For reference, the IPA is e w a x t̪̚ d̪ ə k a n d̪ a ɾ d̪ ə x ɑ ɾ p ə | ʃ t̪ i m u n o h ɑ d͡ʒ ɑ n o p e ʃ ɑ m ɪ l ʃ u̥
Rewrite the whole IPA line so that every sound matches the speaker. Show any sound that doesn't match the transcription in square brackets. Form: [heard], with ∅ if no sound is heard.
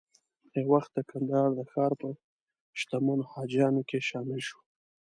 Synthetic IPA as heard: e w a x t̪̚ d̪ ə k a n d̪ [ɑ] ɾ d̪ ə x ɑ ɾ p ə | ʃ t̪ [a] m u n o h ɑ d͡ʒ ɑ n o [k] e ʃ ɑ m ɪ l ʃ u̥